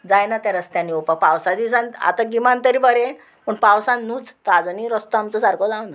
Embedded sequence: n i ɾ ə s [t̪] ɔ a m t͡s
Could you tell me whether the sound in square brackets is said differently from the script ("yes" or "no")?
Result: no